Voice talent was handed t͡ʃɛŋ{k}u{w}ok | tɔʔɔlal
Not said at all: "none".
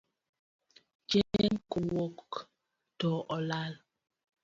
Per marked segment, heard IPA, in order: k, w

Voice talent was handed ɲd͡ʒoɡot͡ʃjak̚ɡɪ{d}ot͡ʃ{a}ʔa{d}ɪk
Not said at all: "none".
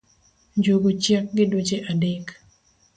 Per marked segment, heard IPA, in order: d, e, d

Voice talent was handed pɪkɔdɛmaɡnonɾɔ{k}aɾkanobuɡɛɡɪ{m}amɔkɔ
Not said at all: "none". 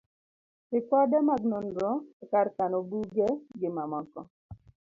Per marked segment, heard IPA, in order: k, m

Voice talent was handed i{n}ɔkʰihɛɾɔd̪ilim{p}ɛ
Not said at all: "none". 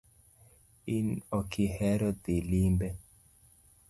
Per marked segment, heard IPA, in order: n, b

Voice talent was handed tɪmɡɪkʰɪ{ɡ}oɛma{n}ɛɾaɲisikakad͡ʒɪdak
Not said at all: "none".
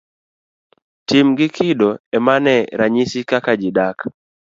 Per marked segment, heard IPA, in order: d, n

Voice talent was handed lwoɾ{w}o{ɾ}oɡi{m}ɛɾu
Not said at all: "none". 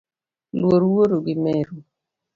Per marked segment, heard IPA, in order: w, ɾ, m

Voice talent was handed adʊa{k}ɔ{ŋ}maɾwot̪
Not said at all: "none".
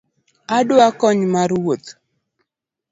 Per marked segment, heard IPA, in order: k, ɲ

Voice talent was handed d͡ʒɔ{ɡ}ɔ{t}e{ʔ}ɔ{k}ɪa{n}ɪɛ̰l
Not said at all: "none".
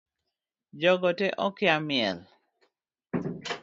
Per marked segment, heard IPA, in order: ɡ, t, ʔ, k, m

